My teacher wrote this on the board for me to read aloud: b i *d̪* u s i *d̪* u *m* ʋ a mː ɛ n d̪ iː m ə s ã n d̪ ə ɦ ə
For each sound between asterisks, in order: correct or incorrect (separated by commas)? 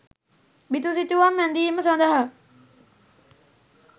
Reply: incorrect, incorrect, incorrect